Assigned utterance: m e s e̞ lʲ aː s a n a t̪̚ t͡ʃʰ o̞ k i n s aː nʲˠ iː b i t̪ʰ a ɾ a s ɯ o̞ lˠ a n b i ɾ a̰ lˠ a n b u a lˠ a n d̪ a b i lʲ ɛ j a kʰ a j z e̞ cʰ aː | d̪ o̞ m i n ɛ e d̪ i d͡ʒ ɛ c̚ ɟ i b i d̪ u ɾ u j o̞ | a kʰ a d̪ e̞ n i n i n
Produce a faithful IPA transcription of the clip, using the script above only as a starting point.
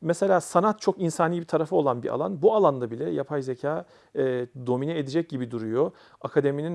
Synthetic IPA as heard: m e s e̞ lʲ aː s a n a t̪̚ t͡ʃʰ o̞ k i n s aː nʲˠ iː b i t̪ʰ a ɾ a f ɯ o̞ lˠ a n b i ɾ a̰ lˠ a n b u a lˠ a n d̪ a b i lʲ ɛ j a pʰ a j z e̞ cʰ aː | d̪ o̞ m i n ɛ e d̪ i d͡ʒ ɛ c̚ ɟ i b i d̪ u ɾ u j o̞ | a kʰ a d̪ e̞ m i n i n